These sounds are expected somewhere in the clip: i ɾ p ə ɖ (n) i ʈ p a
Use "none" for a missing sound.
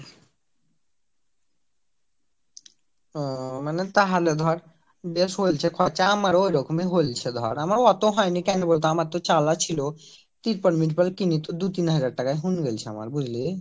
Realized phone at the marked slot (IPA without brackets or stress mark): m